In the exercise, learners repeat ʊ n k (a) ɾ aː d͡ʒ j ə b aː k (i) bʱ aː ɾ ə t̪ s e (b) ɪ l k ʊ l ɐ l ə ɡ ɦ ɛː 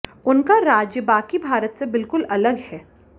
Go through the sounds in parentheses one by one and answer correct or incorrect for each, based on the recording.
correct, correct, correct

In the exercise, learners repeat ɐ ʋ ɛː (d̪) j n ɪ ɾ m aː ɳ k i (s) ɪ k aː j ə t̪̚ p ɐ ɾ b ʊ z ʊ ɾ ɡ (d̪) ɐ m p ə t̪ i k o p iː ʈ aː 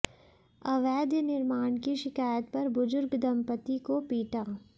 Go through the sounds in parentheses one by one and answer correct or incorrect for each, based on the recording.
correct, incorrect: ʃ, correct

